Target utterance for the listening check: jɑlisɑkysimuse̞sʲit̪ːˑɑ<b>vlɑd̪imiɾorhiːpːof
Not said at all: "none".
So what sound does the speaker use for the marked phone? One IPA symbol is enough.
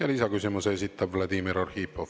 b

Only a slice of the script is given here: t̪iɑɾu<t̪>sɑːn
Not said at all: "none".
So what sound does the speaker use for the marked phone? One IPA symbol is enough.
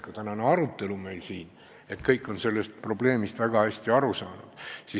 none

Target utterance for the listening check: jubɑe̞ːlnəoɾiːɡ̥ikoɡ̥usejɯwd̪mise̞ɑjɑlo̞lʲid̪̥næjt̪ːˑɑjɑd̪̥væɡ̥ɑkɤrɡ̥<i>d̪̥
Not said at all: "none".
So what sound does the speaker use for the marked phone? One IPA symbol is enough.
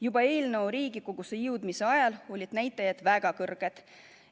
e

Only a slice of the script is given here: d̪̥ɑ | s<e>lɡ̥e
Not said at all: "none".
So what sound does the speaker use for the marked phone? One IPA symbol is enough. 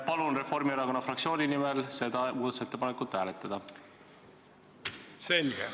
e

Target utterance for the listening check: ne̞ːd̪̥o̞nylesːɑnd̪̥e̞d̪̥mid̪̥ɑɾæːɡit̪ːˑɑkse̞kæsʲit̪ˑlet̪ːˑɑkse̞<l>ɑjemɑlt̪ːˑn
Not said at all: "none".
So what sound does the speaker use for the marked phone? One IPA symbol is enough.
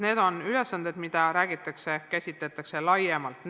l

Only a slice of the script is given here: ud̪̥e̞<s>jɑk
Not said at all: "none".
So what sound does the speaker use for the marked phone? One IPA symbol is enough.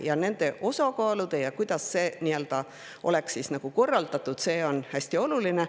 none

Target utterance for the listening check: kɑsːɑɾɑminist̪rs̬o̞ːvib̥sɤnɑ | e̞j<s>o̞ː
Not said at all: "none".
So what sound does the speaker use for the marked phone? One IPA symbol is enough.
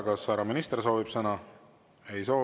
s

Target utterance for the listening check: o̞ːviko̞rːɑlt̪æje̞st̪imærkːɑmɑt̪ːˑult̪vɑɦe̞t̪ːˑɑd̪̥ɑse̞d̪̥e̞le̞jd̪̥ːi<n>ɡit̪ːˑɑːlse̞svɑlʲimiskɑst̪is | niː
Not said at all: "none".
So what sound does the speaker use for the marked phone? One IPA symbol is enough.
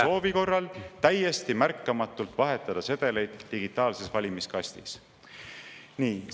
none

